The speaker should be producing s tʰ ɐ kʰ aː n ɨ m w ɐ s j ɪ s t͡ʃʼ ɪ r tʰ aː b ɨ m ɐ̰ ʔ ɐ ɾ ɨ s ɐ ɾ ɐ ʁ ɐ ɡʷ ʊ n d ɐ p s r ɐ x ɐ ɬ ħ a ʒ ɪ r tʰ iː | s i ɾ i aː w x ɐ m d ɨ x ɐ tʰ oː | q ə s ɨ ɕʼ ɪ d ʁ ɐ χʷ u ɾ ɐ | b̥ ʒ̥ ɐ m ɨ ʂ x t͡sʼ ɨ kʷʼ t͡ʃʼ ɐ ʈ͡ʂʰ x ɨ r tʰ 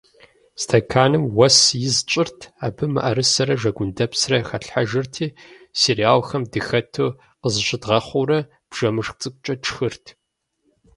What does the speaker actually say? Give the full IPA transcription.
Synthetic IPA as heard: s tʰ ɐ kʰ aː n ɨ m w ɐ s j ɪ z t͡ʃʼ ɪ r tʰ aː b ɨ m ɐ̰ ʔ ɐ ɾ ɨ s ɐ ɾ ɐ ʒ ɐ ɡʷ ʊ n d ɐ p s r ɐ x ɐ ɬ ħ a ʒ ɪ r tʰ iː | s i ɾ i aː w x ɐ m d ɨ x ɐ tʰ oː | q ə z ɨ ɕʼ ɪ d ʁ ɐ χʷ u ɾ ɐ | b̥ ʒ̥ ɐ m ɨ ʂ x t͡sʼ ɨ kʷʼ t͡ʃʼ ɐ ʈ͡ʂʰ x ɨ r tʰ

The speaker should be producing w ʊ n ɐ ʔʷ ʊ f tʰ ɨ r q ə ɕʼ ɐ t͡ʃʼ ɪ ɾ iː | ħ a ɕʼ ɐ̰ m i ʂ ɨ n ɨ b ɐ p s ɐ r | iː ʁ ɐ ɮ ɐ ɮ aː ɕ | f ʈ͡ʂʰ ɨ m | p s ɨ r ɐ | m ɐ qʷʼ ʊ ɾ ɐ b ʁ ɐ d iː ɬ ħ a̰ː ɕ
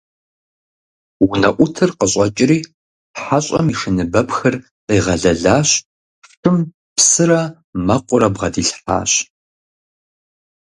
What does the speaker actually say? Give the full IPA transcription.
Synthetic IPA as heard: w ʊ n ɐ ʔʷ ʊ tʰ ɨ r q ə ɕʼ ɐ t͡ʃʼ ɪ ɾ iː | ħ a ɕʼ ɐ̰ m i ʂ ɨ n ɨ b ɐ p x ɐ r | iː ʁ ɐ ɮ ɐ ɮ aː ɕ | f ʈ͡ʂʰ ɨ m | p s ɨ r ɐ | m ɐ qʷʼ ʊ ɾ ɐ b ʁ ɐ d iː ɬ ħ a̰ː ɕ

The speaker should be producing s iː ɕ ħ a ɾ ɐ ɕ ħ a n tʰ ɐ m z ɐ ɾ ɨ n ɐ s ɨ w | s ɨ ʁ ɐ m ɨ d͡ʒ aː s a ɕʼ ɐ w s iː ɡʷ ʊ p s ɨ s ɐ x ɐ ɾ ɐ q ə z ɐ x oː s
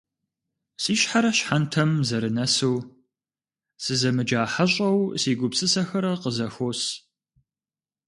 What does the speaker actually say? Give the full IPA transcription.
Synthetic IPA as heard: s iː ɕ ħ a ɾ ɐ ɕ ħ a n tʰ ɐ m z ɐ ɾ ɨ n ɐ s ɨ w | s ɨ z ɐ m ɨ d͡ʒ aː ħ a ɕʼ ɐ w s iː ɡʷ ʊ p s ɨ s ɐ x ɐ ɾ ɐ q ə z ɐ x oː s

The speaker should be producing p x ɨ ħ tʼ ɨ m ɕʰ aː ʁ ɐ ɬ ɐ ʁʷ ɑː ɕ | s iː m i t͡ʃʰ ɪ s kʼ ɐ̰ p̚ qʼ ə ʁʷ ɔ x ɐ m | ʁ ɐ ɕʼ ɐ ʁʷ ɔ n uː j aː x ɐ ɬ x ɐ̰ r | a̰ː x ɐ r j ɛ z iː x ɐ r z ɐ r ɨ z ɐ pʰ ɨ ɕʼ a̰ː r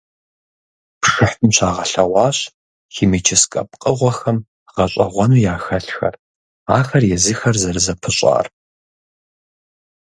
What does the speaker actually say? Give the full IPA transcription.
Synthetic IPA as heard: p ʂ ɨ ħ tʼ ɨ m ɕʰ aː ʁ ɐ ɬ ɐ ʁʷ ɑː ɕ | x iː m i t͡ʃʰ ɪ s kʼ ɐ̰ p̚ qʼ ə ʁʷ ɔ x ɐ m | ʁ ɐ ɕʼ ɐ ʁʷ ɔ n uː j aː x ɐ ɬ x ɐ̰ r | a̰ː x ɐ r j ɛ z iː x ɐ r z ɐ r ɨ z ɐ pʰ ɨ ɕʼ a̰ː r

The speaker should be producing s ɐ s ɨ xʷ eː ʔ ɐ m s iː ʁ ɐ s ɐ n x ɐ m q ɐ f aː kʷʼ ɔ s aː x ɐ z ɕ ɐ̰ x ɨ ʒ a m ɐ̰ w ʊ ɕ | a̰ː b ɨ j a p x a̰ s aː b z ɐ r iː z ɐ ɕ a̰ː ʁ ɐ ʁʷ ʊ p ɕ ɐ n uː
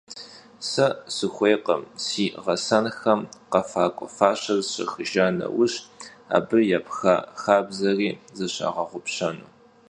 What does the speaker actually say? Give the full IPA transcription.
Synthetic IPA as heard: s ɐ s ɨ xʷ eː q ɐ m s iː ʁ ɐ s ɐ n x ɐ m q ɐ f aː kʷʼ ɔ f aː ɕ ɐ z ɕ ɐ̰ x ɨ ʒ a n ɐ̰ w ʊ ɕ | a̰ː b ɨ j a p x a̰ x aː b z ɐ r iː z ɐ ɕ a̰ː ʁ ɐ ʁʷ ʊ p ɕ ɐ n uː

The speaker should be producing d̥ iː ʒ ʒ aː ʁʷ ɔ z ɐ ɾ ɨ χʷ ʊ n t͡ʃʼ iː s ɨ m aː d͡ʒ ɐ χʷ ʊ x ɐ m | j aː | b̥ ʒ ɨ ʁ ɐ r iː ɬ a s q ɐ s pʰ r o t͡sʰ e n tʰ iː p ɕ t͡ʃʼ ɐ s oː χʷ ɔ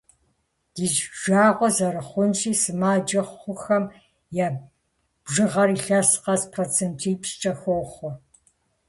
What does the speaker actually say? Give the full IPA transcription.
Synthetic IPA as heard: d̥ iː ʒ ʒ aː ʁʷ ɔ z ɐ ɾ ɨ χʷ ʊ n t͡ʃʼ iː s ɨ m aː d͡ʒ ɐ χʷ ʊ x ɐ m | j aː | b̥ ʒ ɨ ʁ ɐ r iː ɬ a s q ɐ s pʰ r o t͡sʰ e n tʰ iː p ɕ t͡ʃʼ ɐ x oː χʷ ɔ

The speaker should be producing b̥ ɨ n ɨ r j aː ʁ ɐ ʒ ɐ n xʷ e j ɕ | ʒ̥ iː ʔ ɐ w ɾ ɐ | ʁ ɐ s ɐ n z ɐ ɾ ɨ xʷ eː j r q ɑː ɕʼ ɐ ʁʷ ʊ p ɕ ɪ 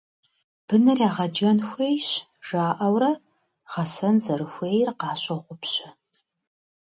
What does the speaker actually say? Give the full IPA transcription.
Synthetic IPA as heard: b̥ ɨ n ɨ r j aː ʁ ɐ d͡ʒ ɐ n xʷ e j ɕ | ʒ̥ aː ʔ ɐ w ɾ ɐ | ʁ ɐ s ɐ n z ɐ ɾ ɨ xʷ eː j r q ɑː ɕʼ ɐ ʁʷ ʊ p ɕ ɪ

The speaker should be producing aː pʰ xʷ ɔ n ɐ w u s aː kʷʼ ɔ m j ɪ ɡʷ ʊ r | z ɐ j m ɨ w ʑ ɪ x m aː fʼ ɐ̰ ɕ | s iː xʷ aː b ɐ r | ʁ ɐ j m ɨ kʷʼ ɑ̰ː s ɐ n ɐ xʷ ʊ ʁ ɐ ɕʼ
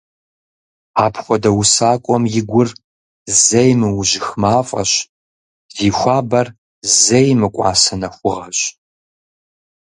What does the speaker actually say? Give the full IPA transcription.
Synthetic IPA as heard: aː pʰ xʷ ɔ d ɐ w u s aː kʷʼ ɔ m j ɪ ɡʷ ʊ r | z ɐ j m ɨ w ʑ ɪ x m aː fʼ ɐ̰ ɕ | z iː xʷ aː b ɐ r | z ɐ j m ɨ kʷʼ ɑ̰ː s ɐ n ɐ xʷ ʊ ʁ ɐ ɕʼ

